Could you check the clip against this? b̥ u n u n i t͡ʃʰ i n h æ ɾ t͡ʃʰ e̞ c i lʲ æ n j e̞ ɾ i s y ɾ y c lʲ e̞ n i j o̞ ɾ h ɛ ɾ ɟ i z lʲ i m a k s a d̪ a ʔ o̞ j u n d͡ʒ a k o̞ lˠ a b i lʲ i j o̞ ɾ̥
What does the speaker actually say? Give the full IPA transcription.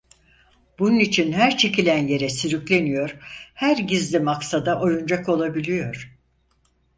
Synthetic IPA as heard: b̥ u n u n i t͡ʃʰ i n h æ ɾ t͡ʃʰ e̞ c i lʲ æ n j e̞ ɾ ɛ s y ɾ y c lʲ e̞ n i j o̞ ɾ h æ ɾ ɟ i z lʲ i m a k s a d̪ a ʔ o̞ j u n d͡ʒ a k o̞ lˠ a b i lʲ i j o̞ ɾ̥